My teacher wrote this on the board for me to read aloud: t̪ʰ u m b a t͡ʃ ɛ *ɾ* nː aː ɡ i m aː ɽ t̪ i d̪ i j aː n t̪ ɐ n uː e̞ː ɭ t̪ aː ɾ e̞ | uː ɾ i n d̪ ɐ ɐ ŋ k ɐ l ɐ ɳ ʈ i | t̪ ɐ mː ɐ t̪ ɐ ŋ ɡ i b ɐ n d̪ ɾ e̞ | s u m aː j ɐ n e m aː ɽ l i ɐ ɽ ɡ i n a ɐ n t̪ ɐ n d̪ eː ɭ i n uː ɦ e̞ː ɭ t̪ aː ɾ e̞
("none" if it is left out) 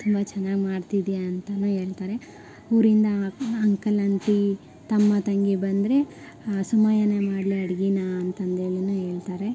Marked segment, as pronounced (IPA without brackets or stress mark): none